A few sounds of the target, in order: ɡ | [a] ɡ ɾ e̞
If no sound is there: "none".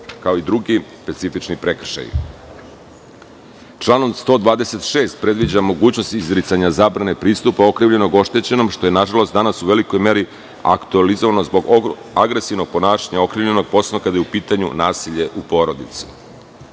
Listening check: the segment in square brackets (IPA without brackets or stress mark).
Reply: a